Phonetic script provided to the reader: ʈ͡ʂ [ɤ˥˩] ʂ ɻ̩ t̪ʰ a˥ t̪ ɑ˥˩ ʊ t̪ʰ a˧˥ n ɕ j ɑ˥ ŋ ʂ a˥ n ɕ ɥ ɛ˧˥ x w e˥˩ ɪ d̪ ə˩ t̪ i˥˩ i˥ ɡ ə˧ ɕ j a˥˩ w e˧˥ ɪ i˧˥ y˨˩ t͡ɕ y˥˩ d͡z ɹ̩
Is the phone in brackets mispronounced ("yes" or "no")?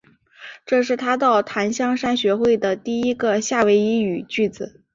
yes